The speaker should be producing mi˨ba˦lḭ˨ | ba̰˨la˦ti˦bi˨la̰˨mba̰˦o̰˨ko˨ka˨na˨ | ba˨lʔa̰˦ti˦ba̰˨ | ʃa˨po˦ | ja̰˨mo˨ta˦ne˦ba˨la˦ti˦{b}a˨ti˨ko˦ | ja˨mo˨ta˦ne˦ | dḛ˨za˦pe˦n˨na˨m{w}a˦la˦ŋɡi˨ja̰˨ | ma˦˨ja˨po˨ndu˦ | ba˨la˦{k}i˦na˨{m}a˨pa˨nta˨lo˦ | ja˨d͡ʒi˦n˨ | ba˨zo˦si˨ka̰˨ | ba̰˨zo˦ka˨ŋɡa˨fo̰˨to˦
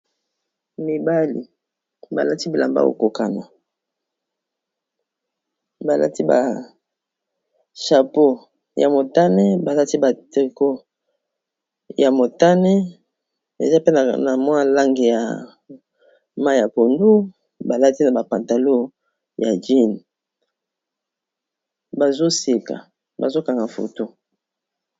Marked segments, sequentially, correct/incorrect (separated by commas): correct, correct, incorrect, incorrect